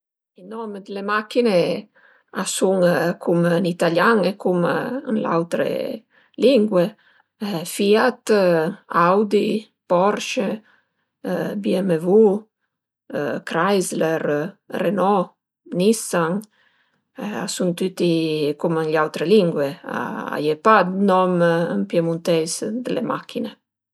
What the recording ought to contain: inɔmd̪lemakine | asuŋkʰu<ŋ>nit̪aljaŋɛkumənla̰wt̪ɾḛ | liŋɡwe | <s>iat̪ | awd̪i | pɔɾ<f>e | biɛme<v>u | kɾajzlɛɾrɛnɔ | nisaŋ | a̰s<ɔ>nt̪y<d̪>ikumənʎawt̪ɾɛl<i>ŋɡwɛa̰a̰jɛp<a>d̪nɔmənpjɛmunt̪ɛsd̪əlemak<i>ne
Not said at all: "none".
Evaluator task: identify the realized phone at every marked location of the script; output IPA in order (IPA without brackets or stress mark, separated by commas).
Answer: m, f, ʃ, v, u, t̪, i, a, i